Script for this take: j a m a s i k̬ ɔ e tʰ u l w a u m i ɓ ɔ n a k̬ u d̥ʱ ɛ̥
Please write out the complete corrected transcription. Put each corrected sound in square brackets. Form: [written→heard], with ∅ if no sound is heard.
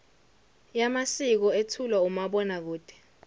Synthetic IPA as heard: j a m a s i k̬ ɔ e tʰ u l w a u m [i→a] ɓ ɔ n a k̬ [u→uː] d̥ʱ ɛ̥